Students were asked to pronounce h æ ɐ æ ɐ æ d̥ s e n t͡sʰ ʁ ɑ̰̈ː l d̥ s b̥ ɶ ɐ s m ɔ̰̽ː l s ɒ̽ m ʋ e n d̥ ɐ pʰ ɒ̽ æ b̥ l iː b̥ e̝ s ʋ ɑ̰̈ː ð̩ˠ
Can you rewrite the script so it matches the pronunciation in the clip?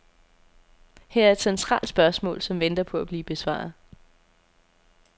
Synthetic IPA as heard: h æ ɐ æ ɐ e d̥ s e n t͡sʰ ʁ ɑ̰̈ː l d̥ s b̥ ɶ ɐ s m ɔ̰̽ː l s ɒ̽ m ʋ e n d̥ ɐ pʰ ɒ̽ æ b̥ l iː b̥ e̝ s ʋ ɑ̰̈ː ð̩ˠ